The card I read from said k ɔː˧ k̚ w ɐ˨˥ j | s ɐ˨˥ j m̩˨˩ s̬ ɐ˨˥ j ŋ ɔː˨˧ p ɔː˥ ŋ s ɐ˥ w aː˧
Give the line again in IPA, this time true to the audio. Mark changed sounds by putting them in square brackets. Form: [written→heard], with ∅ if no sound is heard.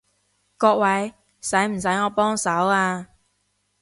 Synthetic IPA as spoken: k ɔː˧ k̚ w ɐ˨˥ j | s ɐ˨˥ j m̩˨˩ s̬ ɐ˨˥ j ŋ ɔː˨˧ p ɔː˥ ŋ s [ɐ˥→ɐ˨˥] w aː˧